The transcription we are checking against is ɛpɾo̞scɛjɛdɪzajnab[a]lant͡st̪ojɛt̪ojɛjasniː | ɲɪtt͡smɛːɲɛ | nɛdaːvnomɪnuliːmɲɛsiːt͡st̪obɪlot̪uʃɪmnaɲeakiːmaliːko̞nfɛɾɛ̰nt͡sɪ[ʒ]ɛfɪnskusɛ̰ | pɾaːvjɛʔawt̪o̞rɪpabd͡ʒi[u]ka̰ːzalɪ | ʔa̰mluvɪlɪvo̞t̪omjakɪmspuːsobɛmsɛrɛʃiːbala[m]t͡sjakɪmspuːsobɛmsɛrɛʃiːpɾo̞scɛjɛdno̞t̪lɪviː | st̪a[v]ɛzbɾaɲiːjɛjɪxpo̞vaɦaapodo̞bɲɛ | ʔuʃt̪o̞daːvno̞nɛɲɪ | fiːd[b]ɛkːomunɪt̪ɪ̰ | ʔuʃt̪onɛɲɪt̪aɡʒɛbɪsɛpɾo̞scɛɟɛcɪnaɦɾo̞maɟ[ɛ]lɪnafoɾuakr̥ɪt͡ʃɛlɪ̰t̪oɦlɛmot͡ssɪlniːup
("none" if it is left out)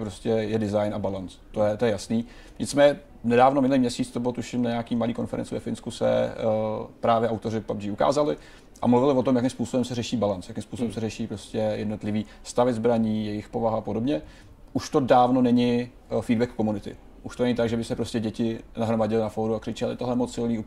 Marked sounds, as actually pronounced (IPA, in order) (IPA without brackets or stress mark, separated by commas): a, v, u, n, v, b, ɛ